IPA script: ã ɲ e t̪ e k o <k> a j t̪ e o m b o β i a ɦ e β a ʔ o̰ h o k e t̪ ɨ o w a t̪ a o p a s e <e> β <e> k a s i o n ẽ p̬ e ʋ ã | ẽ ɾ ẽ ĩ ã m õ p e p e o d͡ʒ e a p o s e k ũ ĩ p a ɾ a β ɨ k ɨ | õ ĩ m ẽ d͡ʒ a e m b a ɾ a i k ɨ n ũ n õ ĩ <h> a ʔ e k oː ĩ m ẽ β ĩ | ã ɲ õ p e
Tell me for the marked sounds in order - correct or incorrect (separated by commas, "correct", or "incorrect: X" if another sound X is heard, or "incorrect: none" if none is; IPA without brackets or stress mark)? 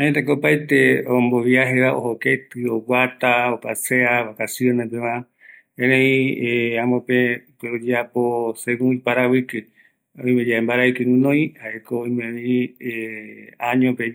incorrect: p, incorrect: a, incorrect: a, correct